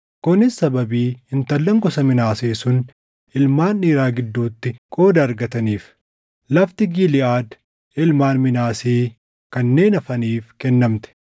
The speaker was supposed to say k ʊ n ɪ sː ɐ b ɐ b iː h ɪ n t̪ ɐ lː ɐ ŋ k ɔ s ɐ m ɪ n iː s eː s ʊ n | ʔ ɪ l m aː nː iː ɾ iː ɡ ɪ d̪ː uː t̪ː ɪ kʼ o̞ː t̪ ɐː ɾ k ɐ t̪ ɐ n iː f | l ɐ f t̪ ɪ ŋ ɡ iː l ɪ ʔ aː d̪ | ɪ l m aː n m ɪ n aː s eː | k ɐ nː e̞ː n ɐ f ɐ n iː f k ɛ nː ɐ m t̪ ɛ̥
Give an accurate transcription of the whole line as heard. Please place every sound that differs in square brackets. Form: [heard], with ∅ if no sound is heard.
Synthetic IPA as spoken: k ʊ n ɪ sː ɐ b ɐ b iː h ɪ n t̪ ɐ lː ɐ ŋ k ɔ s ɐ m ɪ n [aː] s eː s ʊ n | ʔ ɪ l m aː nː iː ɾ [aː] ɡ ɪ d̪ː uː t̪ː ɪ kʼ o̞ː [d̪] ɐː ɾ [ɡ] ɐ t̪ ɐ n iː f | l ɐ f t̪ ɪ [∅] ɡ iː l ɪ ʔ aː d̪ | ɪ l m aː n m ɪ n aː s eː | k ɐ nː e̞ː n ɐ f ɐ n iː f k ɛ nː ɐ m t̪ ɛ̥